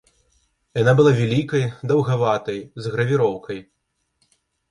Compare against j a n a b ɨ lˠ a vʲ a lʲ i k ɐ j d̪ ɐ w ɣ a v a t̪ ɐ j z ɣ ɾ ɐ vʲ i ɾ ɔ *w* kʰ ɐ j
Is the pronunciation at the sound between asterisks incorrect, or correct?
correct